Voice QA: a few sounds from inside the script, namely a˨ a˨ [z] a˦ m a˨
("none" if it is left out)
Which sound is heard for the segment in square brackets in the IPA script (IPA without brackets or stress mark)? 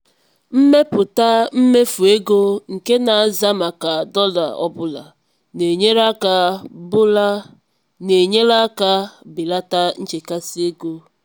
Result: z